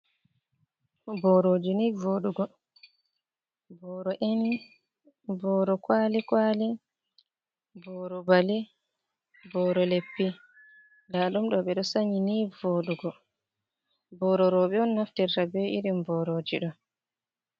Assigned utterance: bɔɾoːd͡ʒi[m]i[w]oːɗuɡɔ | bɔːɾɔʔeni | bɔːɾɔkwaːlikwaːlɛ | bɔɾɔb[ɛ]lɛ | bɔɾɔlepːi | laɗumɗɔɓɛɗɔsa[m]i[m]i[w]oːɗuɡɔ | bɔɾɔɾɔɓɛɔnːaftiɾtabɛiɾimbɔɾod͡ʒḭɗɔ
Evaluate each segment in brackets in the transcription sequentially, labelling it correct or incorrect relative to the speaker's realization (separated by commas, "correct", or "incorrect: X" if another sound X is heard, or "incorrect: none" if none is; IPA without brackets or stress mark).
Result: incorrect: n, incorrect: v, incorrect: a, incorrect: ɲ, incorrect: n, incorrect: v